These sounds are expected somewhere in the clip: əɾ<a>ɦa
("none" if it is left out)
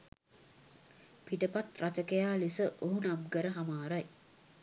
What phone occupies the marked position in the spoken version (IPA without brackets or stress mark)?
ə